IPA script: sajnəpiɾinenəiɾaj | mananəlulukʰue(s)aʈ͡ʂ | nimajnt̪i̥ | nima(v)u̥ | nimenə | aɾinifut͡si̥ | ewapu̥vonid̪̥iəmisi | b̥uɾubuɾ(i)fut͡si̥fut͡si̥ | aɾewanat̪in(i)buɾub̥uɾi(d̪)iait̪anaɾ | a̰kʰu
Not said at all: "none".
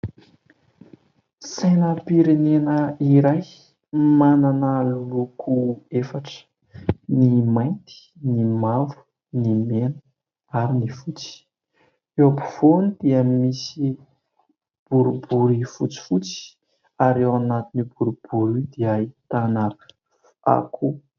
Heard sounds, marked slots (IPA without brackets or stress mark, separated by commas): f, v, i, i, d̪